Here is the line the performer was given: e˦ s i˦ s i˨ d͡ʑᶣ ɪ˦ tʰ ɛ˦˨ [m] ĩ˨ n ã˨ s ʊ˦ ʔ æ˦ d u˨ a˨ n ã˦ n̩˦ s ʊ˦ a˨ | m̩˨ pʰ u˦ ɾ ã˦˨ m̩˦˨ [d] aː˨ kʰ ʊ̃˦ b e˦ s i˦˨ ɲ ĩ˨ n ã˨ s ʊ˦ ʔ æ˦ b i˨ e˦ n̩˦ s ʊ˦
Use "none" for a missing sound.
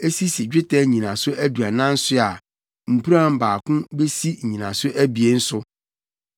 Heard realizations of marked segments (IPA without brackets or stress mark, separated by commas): ɲ, b